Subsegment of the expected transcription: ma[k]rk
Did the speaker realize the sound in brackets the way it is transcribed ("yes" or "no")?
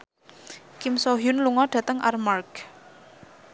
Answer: no